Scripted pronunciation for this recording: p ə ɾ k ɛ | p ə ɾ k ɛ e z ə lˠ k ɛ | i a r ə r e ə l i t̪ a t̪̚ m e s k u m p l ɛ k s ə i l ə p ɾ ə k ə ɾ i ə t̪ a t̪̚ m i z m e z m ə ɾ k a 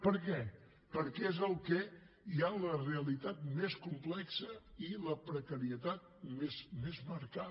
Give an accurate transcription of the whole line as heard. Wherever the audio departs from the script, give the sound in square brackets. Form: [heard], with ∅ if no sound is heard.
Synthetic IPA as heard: p ə ɾ k ɛ | p ə ɾ k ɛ e z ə lˠ k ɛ | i a [l] ə r e ə l i t̪ a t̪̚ m e s k u m p l ɛ k s ə i l ə p ɾ ə k ə ɾ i ə t̪ a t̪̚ m [e] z m e z m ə ɾ k a